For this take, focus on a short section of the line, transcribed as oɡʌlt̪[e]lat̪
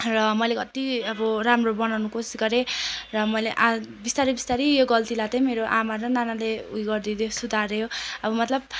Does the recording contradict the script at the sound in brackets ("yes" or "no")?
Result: yes